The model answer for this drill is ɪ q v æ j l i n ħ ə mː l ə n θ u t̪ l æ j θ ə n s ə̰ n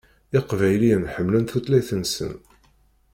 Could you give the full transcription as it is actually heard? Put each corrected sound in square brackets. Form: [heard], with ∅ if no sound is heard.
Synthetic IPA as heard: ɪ q v æ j l i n ħ ə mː l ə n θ u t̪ l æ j θ ə n s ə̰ n